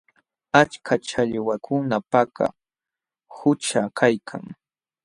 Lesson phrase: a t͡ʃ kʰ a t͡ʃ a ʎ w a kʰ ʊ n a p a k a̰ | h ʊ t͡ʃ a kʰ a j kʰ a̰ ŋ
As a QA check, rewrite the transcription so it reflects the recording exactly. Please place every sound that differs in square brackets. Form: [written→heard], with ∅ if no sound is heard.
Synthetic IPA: a t͡ʃ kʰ a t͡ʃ a ʎ w a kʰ ʊ n a p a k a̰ | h ʊ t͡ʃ a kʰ a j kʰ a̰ ŋ